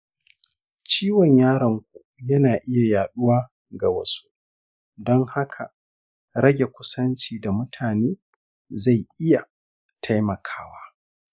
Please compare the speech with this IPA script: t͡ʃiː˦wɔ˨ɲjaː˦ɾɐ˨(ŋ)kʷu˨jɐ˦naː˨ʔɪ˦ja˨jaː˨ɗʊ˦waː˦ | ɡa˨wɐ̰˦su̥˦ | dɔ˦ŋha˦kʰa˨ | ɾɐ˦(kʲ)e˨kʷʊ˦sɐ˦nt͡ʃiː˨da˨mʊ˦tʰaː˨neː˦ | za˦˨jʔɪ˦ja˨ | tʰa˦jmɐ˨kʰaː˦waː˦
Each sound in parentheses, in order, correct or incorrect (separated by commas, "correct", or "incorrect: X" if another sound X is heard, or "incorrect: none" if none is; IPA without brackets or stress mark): correct, incorrect: ɡʲ